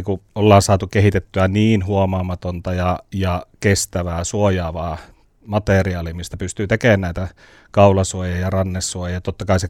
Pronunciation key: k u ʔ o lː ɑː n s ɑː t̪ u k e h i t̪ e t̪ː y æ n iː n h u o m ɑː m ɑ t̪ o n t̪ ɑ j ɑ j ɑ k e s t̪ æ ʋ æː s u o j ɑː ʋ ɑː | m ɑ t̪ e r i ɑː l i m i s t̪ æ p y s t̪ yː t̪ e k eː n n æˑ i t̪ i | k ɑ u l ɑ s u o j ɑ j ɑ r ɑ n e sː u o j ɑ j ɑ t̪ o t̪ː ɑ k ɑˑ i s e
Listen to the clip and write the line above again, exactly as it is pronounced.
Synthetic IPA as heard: k u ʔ o lː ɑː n s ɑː t̪ u k e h i t̪ e t̪ː y æ n iː n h u o m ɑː m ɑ t̪ o n t̪ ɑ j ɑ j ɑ k e s t̪ æ ʋ æː s u o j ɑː ʋ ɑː | m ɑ t̪ e r i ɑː l i m i s t̪ æ p y s t̪ yː t̪ e k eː n n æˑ i t̪ æ | k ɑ u l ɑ s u o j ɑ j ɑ r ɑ nː e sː u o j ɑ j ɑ t̪ o t̪ː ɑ k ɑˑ i s e